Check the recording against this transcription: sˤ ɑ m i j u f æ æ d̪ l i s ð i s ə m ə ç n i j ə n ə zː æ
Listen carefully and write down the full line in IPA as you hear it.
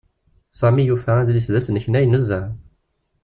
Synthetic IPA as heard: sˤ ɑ m i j u f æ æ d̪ l i s ð æ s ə n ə ç n æ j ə n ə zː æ